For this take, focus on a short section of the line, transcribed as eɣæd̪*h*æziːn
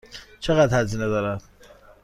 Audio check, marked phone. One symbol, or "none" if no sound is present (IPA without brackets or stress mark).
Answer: h